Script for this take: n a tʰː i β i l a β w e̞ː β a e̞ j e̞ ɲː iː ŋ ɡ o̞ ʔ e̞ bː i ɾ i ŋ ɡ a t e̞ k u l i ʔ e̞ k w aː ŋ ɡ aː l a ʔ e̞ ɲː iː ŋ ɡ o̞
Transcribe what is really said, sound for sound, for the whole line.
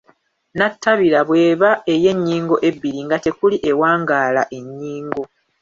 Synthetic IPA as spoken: n a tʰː a β i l a β w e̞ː β a e̞ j e̞ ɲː iː ŋ ɡ o̞ ʔ e̞ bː i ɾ i ŋ ɡ a t e̞ k u l i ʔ e̞ w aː ŋ ɡ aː l a ʔ e̞ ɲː iː ŋ ɡ o̞